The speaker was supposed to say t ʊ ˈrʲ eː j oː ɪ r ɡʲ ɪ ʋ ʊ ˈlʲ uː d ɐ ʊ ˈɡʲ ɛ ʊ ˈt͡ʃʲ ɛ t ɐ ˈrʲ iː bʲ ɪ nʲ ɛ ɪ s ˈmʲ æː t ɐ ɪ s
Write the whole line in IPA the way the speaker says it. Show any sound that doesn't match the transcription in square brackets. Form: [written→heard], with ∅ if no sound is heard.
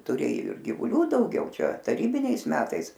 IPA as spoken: t ʊ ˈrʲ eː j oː ɪ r ɡʲ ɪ ʋ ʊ ˈlʲ uː d ɐ ʊ ˈɡʲ ɛ ʊ ˈt͡ʃʲ ɛ t ɐ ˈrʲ iː bʲ ɪ nʲ ɛ ɪ s ˈmʲ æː t ɐ ɪ s